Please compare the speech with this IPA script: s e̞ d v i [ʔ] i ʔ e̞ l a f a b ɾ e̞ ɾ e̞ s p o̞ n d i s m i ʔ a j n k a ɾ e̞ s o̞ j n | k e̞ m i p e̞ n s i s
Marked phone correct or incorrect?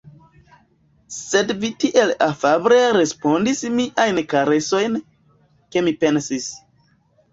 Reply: incorrect